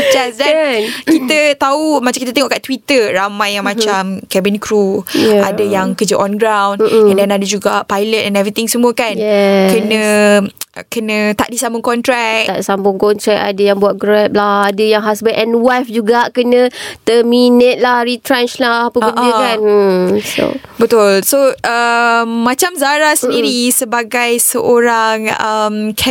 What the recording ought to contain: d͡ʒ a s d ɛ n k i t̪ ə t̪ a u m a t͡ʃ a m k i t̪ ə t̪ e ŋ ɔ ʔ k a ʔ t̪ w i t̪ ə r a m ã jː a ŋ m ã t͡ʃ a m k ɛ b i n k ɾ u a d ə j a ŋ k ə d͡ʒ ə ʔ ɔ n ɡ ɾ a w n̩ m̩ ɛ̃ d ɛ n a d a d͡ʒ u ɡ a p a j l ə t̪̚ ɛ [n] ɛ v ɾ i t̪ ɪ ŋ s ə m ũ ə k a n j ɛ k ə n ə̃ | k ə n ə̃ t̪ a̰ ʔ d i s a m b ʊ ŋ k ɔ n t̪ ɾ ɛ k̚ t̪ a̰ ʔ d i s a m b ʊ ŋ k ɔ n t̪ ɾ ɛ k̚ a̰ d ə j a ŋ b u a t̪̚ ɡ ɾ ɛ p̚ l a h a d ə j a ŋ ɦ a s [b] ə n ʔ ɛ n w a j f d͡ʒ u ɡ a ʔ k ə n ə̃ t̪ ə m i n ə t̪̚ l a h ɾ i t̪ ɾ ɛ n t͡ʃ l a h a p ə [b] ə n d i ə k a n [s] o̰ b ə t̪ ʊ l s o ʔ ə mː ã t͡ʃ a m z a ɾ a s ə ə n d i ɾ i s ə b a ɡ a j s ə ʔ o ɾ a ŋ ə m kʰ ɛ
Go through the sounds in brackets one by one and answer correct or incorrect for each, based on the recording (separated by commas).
correct, correct, correct, correct